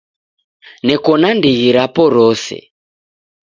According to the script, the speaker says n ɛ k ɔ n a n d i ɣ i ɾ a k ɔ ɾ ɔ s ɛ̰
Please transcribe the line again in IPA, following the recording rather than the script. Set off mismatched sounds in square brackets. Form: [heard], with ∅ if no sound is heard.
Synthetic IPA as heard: n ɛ k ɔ n a n d i ɣ i ɾ a [p] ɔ ɾ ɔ s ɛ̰